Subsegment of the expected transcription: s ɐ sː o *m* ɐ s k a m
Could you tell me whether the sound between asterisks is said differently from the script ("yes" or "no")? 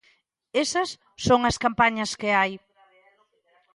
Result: yes